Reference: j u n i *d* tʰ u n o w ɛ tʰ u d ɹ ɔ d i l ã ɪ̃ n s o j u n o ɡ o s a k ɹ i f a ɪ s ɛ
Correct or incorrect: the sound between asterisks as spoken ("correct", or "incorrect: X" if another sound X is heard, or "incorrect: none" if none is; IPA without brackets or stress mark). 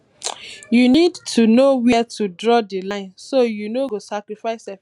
correct